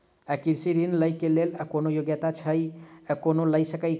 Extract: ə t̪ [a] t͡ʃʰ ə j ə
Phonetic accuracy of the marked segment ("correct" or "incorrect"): correct